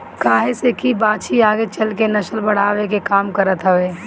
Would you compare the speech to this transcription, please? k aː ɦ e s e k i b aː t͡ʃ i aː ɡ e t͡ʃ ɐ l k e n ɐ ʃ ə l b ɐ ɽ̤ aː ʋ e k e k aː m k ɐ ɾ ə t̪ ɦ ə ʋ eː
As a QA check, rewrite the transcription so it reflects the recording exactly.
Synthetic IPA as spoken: k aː ɦ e s e k i b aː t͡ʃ i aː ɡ e t͡ʃ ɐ l k e n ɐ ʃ ə l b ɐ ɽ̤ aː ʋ e k e k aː m k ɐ ɾ ə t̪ ɦ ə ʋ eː